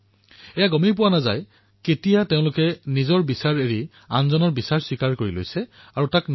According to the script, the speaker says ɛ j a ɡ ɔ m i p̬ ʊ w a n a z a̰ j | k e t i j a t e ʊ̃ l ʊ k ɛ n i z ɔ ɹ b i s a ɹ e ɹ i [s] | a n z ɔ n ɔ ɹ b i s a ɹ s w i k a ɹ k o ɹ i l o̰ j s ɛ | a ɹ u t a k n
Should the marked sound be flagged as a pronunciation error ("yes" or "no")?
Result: yes